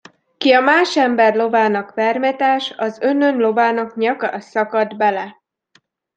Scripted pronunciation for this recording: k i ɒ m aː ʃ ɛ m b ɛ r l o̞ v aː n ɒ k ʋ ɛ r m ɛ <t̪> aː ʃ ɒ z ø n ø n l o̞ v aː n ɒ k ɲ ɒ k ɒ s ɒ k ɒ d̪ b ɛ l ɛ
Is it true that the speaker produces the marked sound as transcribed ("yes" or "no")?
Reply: yes